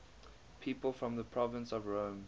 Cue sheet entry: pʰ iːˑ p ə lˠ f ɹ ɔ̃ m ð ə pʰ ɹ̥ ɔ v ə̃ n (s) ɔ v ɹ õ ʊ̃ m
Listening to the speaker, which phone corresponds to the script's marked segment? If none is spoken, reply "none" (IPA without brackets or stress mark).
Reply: s